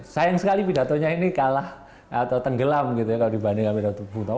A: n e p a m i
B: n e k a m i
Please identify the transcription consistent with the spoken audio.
B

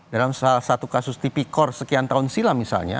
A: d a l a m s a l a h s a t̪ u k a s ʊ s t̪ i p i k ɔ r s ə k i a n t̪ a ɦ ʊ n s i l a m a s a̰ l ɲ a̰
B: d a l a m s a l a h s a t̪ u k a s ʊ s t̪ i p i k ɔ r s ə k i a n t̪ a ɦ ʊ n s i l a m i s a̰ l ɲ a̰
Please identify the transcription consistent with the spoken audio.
B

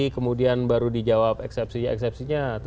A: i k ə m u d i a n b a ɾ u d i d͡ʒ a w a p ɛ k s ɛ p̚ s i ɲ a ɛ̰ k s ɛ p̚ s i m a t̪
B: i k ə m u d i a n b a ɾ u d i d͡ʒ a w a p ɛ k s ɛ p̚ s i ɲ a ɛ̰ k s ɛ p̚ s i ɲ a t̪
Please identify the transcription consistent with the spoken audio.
B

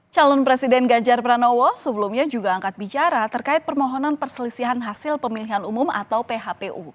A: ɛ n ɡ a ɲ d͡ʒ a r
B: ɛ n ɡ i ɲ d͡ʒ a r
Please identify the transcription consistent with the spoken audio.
A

